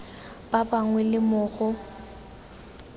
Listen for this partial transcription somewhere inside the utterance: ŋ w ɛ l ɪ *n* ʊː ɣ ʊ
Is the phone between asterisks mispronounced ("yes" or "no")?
yes